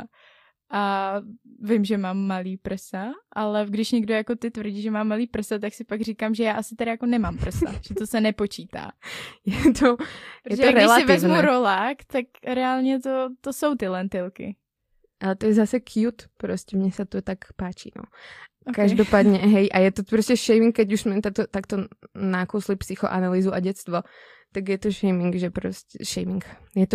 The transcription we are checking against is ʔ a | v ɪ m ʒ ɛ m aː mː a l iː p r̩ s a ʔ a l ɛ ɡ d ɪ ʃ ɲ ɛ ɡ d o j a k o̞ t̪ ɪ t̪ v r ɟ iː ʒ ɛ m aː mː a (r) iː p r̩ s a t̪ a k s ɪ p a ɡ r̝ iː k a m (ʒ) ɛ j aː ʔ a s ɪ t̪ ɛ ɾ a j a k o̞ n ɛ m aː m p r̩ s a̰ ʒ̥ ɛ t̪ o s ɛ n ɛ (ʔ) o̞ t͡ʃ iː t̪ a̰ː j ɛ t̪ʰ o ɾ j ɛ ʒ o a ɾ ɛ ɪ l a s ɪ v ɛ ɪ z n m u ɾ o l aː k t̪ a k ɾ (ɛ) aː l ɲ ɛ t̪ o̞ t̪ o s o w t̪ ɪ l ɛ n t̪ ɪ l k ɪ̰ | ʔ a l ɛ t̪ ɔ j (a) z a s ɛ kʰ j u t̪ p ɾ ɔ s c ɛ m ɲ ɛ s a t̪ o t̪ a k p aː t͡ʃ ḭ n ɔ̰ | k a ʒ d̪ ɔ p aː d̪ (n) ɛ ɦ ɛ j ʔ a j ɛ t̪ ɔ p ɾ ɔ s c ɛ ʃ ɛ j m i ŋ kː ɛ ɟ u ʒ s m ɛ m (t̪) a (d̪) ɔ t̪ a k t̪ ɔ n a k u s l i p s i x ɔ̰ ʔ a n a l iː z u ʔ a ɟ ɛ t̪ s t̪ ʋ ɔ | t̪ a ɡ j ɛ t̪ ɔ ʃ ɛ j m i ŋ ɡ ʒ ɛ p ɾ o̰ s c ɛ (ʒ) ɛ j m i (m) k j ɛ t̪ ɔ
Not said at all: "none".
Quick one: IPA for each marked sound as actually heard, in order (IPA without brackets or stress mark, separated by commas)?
l, ʒ, p, ɛ, ɛ, ɲ, t̪, t̪, ʃ, ŋ